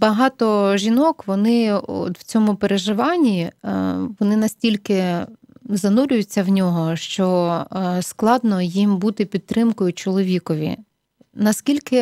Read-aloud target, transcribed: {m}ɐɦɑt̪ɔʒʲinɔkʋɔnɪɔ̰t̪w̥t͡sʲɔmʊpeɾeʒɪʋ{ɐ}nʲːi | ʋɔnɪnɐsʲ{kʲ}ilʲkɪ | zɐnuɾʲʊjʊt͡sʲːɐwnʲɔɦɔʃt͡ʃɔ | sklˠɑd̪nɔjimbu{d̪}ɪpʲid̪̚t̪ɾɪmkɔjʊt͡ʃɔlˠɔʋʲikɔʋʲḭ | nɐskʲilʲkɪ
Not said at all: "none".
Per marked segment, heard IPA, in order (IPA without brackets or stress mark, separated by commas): b, ɑ, tʲ, t̪